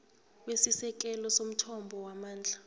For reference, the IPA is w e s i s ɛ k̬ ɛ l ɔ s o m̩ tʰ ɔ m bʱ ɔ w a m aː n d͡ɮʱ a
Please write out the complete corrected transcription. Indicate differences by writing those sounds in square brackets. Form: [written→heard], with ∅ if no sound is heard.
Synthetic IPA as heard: w e s i s ɛ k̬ ɛ l ɔ s o m̩ tʰ ɔ m bʱ ɔ w a m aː n d͡ɮʱ a

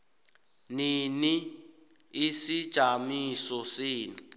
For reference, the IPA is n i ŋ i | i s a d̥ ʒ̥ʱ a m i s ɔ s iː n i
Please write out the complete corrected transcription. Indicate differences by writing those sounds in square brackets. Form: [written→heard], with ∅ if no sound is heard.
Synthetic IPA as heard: n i [ŋ→n] i | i s [a→i] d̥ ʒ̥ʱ a m i s ɔ s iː n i

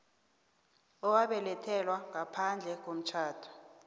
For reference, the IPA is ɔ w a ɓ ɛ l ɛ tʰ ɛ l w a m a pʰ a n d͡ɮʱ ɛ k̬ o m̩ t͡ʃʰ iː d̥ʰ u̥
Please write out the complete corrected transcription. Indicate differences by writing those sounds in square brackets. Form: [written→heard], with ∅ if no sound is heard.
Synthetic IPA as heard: ɔ w a ɓ ɛ l ɛ tʰ ɛ l w a [m→ŋ] a pʰ a n d͡ɮʱ ɛ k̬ o m̩ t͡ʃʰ [iː→aː] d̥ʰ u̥

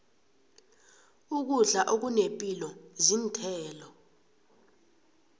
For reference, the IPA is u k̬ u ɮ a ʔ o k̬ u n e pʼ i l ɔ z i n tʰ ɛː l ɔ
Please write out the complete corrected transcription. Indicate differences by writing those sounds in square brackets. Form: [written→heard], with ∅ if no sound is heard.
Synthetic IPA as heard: u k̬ u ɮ a ʔ o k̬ u n e pʼ i l ɔ z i n tʰ ɛː l ɔ

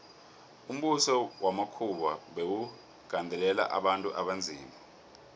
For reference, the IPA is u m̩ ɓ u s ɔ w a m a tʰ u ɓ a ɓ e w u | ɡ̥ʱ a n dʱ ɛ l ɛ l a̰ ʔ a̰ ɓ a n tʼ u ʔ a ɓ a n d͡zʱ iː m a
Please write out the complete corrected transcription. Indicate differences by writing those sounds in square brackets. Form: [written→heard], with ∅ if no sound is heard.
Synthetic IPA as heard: u m̩ ɓ u s ɔ w a m a [tʰ→kʰ] u ɓ a ɓ e w u | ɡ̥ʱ a n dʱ ɛ l ɛ l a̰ ʔ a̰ ɓ a n tʼ u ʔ a ɓ a n d͡zʱ iː m a

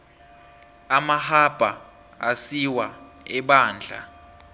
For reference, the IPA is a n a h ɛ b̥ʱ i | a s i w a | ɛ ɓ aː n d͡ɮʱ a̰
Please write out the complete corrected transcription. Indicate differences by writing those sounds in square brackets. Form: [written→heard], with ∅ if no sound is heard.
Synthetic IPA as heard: a [n→m] a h [ɛ→a] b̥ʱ [i→a] | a s i w a | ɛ ɓ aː n d͡ɮʱ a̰

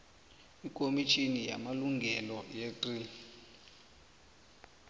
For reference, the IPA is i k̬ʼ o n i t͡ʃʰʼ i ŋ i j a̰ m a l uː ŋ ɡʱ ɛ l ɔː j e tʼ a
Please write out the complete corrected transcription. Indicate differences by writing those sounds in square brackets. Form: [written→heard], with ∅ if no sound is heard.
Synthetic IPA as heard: i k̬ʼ o [n→m] i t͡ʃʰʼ i [ŋ→n] i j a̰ m a l [uː→u] ŋ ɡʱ ɛ l [ɔː→ɔ] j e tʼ [a→i]

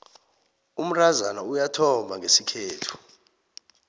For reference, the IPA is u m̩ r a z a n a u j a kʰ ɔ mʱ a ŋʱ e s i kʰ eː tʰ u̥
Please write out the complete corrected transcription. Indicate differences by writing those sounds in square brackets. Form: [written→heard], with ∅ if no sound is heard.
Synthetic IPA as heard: u m̩ r a z a n a u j a [kʰ→tʰ] ɔ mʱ a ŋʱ e s i kʰ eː tʰ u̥

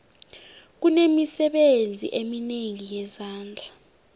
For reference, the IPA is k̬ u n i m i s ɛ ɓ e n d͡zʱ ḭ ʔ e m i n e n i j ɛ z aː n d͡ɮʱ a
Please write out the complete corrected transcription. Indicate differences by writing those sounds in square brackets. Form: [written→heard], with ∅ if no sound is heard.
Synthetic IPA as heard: k̬ u n [i→e] m i s ɛ ɓ e n d͡zʱ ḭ ʔ e m i n e [n→ŋ] i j ɛ z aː n d͡ɮʱ a

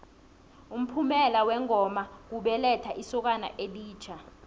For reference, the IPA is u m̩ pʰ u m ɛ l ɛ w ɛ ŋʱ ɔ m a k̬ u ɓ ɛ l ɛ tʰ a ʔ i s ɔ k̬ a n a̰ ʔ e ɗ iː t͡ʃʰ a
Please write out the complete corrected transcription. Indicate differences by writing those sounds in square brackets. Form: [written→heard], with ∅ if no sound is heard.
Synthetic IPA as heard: u m̩ pʰ u m ɛ l [ɛ→a] w ɛ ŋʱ ɔ m a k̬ u ɓ ɛ l ɛ tʰ a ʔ i s ɔ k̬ a n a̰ ʔ e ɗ iː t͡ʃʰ a

